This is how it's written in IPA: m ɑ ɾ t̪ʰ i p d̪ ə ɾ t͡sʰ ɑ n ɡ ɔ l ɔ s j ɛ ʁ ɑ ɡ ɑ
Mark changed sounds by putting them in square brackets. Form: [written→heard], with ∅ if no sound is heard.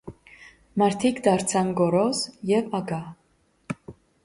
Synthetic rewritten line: m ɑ ɾ t̪ʰ i [p→k] d̪ [ə→ɑ] ɾ t͡sʰ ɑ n ɡ ɔ [l→ɾ] ɔ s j ɛ [ʁ→v] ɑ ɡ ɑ